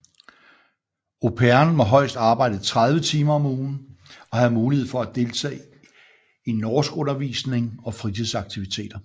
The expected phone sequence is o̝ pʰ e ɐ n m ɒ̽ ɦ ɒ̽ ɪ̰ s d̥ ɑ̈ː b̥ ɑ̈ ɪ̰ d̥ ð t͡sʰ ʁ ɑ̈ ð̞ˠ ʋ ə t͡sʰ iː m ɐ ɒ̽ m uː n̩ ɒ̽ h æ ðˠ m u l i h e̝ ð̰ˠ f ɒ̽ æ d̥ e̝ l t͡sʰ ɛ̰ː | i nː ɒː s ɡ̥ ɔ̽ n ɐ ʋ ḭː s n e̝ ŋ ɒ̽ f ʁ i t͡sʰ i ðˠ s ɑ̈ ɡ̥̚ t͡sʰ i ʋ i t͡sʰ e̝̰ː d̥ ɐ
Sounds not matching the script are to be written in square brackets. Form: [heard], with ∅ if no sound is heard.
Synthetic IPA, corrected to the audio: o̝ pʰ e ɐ n m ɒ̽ ɦ ɒ̽ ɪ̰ s d̥ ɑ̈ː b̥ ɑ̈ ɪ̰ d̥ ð t͡sʰ ʁ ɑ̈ ð̞ˠ ʋ ə t͡sʰ iː m ɐ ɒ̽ m uː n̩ ɒ̽ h æ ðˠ m [uː] l i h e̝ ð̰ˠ f ɒ̽ æ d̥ e̝ l t͡sʰ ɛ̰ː | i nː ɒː s ɡ̥ ɔ̽ n ɐ ʋ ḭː s n e̝ ŋ ɒ̽ f ʁ i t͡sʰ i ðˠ s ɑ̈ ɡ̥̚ t͡sʰ i ʋ i t͡sʰ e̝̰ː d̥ ɐ